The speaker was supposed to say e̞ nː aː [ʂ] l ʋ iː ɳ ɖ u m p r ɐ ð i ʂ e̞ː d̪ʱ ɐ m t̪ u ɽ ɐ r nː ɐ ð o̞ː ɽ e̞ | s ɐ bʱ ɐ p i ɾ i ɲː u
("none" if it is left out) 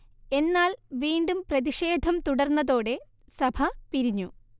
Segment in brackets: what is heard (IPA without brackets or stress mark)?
none